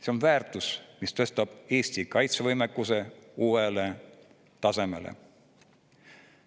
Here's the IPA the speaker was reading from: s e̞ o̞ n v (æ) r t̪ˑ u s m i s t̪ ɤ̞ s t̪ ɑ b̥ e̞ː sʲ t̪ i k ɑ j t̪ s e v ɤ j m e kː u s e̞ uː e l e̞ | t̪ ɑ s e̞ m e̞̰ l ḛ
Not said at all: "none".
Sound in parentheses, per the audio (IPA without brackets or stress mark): æː